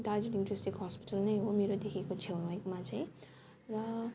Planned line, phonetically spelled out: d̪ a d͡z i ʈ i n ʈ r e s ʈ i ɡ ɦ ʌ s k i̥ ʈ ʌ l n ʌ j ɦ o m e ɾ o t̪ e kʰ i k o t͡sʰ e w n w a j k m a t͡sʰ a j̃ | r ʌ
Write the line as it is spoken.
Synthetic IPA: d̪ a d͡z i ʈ i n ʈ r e s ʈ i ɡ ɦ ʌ s p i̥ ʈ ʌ l n ʌ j ɦ o m e ɾ o d̪ e kʰ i k o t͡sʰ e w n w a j k m a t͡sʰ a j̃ | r ʌ